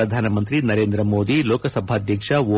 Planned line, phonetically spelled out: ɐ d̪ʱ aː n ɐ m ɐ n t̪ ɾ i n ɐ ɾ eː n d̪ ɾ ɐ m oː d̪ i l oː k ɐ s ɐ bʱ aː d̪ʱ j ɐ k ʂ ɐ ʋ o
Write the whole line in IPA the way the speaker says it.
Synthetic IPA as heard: ɐ d̪ʱ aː n ɐ m ɐ n t̪ ɾ i n ɐ ɾ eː n d̪ ɾ ɐ m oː d̪ i l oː k ɐ s ɐ bʱ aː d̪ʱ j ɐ k ʂ ɐ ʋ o